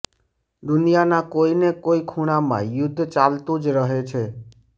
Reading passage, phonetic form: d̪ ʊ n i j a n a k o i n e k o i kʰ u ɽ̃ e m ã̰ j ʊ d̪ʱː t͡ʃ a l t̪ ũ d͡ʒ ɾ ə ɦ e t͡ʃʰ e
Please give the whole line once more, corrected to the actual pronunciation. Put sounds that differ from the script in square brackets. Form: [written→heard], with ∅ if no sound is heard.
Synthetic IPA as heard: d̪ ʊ n i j a n a k o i n e k o i kʰ u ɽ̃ [e→a] m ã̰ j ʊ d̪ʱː t͡ʃ a l t̪ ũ d͡ʒ ɾ ə ɦ e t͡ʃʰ e